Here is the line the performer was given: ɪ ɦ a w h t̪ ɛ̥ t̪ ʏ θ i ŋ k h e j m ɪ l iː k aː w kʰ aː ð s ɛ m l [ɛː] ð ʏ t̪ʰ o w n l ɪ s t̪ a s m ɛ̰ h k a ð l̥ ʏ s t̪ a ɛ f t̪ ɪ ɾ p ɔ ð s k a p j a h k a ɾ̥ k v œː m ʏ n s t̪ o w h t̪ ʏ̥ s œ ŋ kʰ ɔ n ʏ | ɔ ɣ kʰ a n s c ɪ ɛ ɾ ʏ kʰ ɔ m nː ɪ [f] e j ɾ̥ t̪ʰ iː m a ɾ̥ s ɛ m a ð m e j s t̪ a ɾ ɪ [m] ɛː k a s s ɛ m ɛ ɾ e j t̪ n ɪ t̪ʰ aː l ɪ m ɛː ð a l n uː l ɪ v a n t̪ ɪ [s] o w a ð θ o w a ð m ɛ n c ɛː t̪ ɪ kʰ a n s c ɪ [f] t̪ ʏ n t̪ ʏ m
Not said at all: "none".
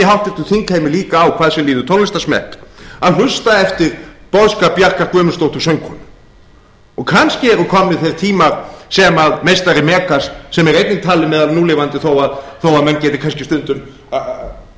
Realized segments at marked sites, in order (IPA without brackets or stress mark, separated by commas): iː, θ, m, θ, s